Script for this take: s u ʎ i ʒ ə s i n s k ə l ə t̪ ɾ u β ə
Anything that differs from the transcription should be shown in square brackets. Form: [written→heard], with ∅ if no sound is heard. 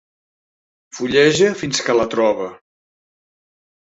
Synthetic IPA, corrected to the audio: [s→f] u ʎ [i→ɛ] ʒ ə [s→f] i n s k ə l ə t̪ ɾ [u→ɔ] β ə